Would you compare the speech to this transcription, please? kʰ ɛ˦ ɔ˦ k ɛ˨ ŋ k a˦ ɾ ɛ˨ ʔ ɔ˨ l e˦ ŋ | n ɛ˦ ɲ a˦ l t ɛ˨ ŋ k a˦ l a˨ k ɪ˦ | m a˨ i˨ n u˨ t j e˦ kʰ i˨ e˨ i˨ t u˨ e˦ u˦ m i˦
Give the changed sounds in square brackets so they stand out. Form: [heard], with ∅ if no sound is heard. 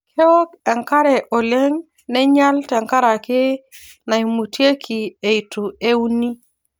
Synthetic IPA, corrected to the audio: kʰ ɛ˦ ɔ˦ k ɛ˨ ŋ k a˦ ɾ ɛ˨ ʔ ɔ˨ l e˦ ŋ | n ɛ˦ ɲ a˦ l t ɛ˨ ŋ k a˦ [ɾ] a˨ k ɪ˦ | [n] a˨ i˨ [m] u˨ t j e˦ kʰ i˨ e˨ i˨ t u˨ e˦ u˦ [n] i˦